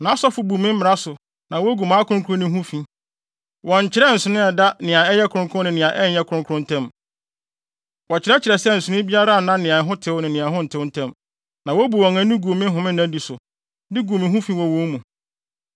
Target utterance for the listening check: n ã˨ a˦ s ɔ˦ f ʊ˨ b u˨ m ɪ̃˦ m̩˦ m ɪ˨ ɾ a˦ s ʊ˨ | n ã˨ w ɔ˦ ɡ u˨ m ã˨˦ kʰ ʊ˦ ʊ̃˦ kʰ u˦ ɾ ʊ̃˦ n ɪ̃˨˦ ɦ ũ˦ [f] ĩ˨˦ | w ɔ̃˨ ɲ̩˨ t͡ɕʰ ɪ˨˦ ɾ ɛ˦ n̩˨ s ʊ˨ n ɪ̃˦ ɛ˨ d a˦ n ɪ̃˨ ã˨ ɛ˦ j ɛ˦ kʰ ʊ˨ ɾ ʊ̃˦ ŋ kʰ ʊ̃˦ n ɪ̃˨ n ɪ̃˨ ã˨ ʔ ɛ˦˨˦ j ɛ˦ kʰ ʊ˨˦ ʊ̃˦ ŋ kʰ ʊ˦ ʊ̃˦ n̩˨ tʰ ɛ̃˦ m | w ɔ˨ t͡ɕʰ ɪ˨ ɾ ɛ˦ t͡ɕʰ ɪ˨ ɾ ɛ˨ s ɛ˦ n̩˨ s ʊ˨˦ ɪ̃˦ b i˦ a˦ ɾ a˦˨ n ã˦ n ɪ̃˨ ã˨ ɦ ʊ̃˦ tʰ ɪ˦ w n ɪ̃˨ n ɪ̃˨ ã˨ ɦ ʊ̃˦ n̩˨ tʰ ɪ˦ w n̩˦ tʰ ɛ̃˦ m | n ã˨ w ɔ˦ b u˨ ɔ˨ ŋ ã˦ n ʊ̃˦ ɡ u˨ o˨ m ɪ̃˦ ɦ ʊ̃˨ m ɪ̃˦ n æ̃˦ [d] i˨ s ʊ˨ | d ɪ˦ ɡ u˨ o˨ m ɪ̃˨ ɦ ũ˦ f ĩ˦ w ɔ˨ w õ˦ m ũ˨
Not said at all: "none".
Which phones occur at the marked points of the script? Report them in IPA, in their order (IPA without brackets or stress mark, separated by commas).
f, d